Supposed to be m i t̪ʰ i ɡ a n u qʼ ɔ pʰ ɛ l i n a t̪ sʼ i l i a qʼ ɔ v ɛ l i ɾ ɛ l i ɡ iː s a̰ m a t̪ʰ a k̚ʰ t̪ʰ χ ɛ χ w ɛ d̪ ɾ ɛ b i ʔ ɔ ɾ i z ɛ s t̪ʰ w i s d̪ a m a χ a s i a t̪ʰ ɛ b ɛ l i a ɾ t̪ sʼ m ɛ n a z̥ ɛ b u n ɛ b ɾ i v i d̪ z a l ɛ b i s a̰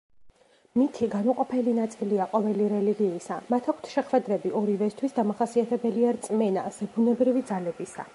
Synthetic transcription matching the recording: m i t̪ʰ i ɡ a n u qʼ ɔ pʰ ɛ l i n a t̪ sʼ i l i a qʼ ɔ v ɛ l i ɾ ɛ l i ɡ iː s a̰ m a t̪ʰ a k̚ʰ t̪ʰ ʃ ɛ χ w ɛ d̪ ɾ ɛ b i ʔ ɔ ɾ i v ɛ s t̪ʰ w i s d̪ a m a χ a s i a t̪ʰ ɛ b ɛ l i a ɾ t̪ sʼ m ɛ n a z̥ ɛ b u n ɛ b ɾ i v i d̪ z a l ɛ b i s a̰